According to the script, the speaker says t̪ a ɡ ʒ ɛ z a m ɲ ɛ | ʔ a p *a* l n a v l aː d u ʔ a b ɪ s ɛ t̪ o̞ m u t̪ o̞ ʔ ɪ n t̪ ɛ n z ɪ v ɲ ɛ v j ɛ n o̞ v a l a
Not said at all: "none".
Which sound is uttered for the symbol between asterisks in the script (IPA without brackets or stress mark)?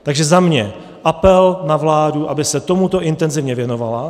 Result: ɛ